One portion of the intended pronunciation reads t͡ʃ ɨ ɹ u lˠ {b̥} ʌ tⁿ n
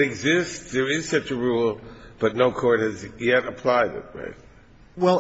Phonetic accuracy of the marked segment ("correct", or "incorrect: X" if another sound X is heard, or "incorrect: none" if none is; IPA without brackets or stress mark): correct